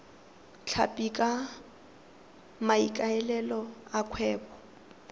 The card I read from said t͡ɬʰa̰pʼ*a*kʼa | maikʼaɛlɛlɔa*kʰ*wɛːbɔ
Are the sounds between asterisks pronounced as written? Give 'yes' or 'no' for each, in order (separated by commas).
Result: no, yes